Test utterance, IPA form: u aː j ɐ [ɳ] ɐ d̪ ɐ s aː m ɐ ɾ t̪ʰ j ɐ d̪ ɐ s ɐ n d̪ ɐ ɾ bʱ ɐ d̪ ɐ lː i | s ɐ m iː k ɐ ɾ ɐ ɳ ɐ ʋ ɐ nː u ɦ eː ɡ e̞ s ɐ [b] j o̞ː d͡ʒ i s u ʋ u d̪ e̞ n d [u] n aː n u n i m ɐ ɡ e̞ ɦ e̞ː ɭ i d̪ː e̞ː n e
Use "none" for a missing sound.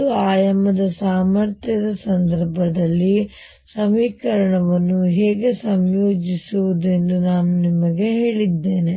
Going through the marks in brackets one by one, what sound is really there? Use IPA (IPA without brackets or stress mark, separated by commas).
m, m, u